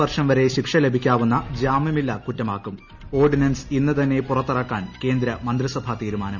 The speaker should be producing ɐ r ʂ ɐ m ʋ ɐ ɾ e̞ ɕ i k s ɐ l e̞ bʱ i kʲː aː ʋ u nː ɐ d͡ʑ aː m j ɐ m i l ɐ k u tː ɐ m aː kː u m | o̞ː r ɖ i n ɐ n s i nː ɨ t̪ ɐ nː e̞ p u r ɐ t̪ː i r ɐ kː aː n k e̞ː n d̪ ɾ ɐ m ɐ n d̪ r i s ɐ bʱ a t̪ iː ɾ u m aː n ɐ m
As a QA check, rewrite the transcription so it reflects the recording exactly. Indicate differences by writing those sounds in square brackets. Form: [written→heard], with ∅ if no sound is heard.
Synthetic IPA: ɐ r ʂ ɐ m ʋ ɐ ɾ e̞ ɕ i k [s→ʂ] ɐ l e̞ bʱ i kʲː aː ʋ u nː ɐ d͡ʑ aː m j ɐ m i [l→lː] ɐ k u tː ɐ m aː kː u m | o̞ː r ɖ i n ɐ n s i nː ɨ t̪ ɐ nː e̞ p u r ɐ t̪ː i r ɐ kː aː n k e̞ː n d̪ ɾ ɐ m ɐ n d̪ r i s ɐ bʱ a t̪ iː ɾ u m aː n ɐ m